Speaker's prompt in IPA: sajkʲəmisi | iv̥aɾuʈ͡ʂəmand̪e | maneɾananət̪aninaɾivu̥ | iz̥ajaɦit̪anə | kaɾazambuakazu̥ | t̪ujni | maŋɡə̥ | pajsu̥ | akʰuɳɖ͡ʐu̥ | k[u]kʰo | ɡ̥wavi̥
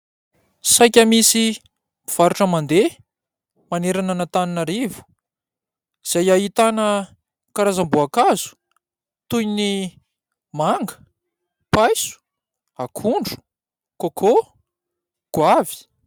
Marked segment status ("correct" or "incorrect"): incorrect